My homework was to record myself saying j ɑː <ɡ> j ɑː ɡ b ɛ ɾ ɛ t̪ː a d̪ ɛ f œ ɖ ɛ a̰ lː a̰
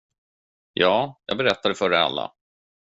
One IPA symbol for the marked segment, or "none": none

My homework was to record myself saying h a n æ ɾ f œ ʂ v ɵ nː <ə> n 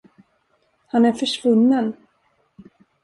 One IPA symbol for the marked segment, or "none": ə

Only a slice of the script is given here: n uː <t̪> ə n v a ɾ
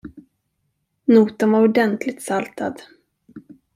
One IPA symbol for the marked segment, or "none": t̪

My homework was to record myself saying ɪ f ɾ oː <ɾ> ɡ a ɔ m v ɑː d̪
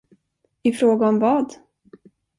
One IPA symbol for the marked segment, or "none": none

